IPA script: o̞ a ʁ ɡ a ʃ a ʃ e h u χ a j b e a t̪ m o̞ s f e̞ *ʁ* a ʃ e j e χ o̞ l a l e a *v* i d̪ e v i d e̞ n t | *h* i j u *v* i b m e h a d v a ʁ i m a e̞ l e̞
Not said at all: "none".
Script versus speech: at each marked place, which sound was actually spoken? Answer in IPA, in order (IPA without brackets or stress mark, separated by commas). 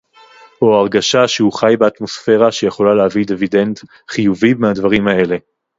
ʁ, v, χ, v